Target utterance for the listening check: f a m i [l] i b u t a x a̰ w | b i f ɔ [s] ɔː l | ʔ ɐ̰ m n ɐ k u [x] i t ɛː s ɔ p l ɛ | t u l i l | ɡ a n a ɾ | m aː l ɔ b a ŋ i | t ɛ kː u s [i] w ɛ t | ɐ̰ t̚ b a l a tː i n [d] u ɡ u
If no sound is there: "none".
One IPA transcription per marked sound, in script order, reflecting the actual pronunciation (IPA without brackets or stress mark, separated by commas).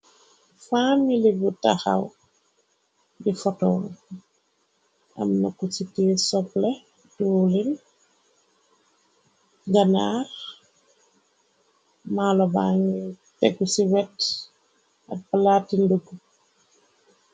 l, t, s, i, d